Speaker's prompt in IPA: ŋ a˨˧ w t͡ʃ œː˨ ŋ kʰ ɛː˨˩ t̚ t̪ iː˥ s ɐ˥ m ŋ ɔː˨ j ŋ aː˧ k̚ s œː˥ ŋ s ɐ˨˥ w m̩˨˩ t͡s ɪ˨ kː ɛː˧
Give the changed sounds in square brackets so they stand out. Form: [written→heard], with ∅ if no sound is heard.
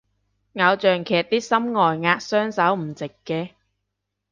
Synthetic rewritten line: ŋ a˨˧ w t͡ʃ œː˨ ŋ kʰ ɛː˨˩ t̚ t̪ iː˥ s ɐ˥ m ŋ ɔː˨ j ŋ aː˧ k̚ s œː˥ ŋ s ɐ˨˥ w m̩˨˩ t͡s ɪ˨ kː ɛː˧